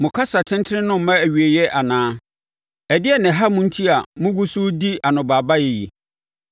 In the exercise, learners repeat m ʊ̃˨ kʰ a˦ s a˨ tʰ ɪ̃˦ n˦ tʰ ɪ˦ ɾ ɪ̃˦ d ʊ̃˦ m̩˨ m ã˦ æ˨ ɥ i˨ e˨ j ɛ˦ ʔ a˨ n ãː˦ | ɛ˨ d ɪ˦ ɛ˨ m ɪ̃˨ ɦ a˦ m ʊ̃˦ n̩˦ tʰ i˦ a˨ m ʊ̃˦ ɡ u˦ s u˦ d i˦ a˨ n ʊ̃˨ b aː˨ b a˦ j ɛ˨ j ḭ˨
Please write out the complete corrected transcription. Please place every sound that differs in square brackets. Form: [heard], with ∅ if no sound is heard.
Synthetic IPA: m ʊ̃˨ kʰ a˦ s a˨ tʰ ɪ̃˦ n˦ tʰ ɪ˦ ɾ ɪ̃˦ [n] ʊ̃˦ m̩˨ m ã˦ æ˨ ɥ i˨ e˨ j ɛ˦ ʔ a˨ n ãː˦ | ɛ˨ d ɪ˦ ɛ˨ [n] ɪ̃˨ ɦ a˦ m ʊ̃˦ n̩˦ tʰ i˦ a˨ m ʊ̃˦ ɡ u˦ s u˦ d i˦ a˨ n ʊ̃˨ b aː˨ b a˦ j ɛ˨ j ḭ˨